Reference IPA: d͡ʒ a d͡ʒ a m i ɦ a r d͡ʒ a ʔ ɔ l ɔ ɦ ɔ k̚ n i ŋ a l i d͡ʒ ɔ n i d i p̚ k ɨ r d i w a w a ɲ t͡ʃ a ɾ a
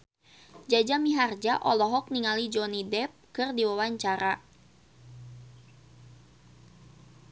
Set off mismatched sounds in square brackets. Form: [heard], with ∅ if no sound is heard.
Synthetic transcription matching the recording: d͡ʒ a d͡ʒ a m i ɦ a r d͡ʒ a ʔ ɔ l ɔ ɦ ɔ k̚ n i ŋ a l i d͡ʒ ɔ n i d [ɛ] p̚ k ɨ r d i w a w a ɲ t͡ʃ a ɾ a